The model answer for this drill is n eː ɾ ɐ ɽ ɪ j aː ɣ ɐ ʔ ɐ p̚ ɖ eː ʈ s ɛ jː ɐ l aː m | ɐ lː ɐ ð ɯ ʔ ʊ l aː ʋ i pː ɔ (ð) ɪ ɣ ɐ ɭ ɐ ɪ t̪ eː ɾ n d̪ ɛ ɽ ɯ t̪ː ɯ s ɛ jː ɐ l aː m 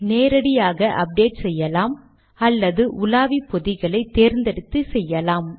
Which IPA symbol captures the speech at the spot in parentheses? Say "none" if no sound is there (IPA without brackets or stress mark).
ð